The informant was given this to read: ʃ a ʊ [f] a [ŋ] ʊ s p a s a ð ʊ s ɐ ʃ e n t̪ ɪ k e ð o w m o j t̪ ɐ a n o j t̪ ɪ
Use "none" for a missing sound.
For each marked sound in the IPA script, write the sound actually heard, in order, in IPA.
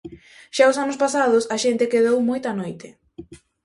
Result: s, n

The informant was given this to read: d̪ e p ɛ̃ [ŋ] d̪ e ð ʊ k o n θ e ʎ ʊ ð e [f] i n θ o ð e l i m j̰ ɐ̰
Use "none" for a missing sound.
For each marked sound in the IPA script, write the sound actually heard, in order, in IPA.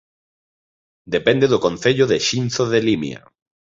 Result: n, ʃ

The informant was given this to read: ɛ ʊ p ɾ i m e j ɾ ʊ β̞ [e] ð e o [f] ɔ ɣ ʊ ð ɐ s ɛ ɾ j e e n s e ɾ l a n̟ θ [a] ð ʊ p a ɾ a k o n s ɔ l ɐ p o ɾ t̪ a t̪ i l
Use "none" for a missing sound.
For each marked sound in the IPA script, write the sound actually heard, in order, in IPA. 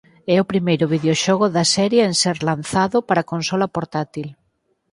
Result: i, ʃ, a

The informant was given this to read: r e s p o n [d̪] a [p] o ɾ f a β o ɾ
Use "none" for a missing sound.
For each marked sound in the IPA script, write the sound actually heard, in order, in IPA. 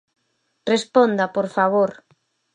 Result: d̪, p

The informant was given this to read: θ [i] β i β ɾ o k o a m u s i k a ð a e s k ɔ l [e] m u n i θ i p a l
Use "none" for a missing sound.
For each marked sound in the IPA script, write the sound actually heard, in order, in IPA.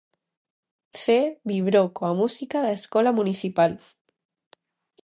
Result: e, a

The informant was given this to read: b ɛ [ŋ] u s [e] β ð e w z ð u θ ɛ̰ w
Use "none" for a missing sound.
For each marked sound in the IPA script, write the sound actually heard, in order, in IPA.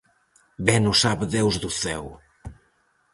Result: n, a

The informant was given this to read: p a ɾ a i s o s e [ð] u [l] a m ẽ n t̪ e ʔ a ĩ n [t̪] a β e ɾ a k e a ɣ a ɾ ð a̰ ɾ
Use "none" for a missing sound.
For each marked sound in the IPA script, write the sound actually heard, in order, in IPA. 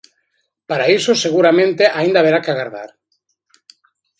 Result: ɣ, ɾ, d̪

